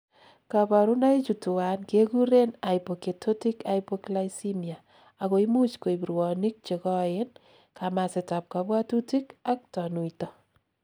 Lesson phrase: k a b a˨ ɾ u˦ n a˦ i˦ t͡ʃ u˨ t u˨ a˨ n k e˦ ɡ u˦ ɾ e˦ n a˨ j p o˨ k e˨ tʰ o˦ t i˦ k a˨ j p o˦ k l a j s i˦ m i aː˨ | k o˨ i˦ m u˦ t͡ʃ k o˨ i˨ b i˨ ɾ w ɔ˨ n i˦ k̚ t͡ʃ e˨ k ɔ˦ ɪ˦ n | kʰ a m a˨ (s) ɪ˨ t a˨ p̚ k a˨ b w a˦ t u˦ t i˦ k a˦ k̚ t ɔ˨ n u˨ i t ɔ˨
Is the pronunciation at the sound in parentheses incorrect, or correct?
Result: correct